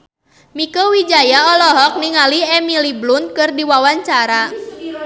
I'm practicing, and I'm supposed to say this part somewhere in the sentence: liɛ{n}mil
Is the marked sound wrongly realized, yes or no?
yes